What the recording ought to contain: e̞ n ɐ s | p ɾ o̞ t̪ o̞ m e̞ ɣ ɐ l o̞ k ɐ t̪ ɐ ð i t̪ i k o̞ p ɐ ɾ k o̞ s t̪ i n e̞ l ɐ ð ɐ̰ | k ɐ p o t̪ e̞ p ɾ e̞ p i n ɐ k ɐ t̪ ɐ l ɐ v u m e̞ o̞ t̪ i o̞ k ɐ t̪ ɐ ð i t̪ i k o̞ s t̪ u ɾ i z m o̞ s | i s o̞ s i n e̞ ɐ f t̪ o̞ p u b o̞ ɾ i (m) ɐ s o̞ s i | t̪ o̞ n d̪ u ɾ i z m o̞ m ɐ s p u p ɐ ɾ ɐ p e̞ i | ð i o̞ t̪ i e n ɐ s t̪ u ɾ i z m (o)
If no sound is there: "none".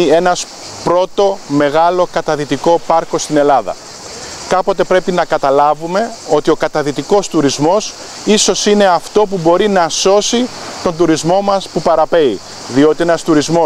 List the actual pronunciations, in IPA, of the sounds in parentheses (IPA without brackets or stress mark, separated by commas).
n, o